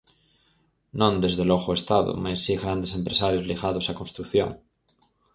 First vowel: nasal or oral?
nasal